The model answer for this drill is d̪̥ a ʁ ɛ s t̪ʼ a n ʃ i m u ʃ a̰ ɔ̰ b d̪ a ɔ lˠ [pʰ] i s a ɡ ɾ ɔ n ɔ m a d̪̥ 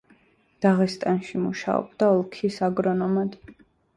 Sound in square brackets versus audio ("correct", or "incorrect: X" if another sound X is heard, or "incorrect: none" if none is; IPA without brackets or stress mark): incorrect: kʰ